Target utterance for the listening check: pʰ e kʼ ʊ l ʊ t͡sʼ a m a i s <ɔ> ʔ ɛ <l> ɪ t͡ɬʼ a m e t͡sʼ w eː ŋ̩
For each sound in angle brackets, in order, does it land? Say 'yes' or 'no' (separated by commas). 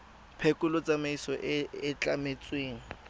yes, no